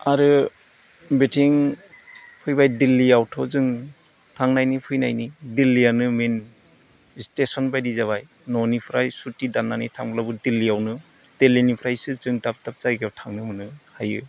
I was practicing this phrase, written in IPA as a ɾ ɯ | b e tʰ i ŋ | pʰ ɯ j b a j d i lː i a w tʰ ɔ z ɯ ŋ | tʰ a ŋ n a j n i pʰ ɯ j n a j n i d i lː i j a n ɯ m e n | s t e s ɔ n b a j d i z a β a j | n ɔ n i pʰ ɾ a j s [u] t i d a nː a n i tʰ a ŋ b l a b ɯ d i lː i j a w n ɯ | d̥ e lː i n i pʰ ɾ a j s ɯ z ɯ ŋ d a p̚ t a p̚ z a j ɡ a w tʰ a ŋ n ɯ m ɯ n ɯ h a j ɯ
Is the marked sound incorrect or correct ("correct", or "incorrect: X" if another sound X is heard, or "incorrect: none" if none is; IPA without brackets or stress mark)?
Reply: correct